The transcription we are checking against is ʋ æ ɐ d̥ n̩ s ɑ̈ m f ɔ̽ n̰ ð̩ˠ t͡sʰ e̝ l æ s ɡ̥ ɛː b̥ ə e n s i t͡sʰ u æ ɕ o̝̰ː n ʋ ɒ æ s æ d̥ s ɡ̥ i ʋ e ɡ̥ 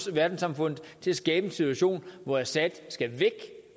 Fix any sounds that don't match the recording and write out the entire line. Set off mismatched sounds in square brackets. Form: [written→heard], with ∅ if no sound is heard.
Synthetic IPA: ʋ æ ɐ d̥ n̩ s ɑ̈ m f ɔ̽ n̰ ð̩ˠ t͡sʰ e̝ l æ s ɡ̥ ɛː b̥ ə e n s i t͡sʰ u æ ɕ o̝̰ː n ʋ ɒ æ s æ d̥ s ɡ̥ [i→æ] ʋ e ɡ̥